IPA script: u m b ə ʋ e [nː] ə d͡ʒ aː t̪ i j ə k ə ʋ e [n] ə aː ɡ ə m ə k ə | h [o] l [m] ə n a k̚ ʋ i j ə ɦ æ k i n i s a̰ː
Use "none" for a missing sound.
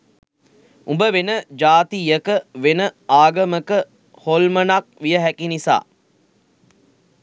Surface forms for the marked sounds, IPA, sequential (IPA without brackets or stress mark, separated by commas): n, n, o, m